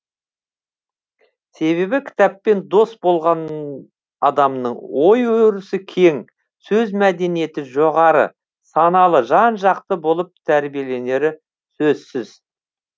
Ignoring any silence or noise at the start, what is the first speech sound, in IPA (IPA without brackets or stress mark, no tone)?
s